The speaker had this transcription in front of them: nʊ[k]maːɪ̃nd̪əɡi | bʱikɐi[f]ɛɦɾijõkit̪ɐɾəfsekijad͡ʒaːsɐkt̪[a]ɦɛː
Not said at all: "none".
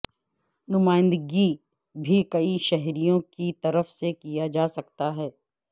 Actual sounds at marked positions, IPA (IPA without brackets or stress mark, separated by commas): none, ʃ, a